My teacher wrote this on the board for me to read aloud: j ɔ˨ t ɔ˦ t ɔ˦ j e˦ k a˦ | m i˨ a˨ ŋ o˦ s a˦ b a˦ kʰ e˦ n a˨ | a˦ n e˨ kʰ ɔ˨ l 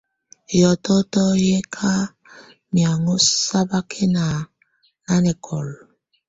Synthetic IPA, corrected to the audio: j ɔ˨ t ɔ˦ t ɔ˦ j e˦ kʰ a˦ | m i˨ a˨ ŋ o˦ s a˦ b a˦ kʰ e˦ n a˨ | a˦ n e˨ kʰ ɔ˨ l